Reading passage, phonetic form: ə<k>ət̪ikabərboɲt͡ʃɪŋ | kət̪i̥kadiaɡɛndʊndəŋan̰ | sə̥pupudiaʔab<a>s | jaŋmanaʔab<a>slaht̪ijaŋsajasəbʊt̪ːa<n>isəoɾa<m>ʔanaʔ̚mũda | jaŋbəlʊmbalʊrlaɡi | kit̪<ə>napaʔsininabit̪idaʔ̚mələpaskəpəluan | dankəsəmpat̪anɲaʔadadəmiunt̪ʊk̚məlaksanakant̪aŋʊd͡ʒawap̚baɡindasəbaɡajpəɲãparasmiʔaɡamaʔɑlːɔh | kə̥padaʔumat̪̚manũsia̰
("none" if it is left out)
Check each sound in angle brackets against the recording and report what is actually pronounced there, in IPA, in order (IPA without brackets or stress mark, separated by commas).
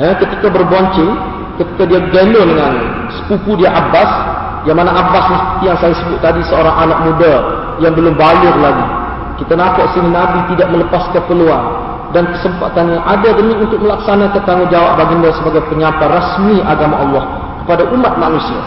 k, a, a, d, ŋ, a